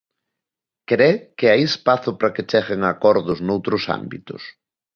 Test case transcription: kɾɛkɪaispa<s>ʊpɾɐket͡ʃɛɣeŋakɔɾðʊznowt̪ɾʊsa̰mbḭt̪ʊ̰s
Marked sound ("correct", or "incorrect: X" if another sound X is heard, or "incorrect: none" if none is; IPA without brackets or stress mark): incorrect: θ